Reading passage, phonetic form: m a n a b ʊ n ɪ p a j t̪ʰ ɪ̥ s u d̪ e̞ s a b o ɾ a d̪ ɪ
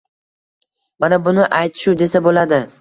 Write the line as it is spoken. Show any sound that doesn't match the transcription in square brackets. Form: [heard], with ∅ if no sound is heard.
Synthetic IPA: m a n a b ʊ n ɪ [ʔ] a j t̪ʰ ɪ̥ [ʃ] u d̪ e̞ s a b o [l] a d̪ ɪ